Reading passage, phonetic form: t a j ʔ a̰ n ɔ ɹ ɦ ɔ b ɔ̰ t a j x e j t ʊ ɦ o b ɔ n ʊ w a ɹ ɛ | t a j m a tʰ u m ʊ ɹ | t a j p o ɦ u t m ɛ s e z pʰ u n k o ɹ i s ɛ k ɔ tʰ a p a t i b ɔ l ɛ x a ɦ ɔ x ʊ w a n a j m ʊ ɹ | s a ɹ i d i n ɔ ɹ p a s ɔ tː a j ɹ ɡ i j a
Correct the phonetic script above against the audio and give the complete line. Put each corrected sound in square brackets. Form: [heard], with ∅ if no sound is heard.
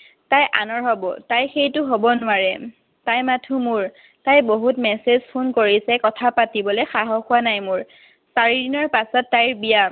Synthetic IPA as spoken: t a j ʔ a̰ n ɔ ɹ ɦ ɔ b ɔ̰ t a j x e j t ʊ ɦ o b ɔ n ʊ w a ɹ ɛ | t a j m a tʰ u m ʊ ɹ | t a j [b] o ɦ u t m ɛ s e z pʰ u n k o ɹ i s ɛ k ɔ tʰ a p a t i b ɔ l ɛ x a ɦ ɔ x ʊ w a n a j m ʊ ɹ | s a ɹ i d i n ɔ ɹ p a s ɔ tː a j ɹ [b] i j a